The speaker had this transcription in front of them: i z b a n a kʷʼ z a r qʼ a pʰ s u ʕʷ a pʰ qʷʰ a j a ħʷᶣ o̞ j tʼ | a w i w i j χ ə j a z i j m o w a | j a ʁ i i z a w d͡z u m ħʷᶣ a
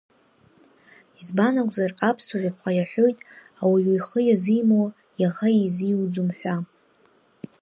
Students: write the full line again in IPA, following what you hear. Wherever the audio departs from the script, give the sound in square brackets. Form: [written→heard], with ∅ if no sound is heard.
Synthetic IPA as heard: i z b a n a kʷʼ z a r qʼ a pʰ s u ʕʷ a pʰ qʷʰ a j a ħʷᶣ o̞ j tʼ | a w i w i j χ ə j a z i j m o w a | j a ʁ [i→a] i z [a→i] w d͡z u m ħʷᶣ a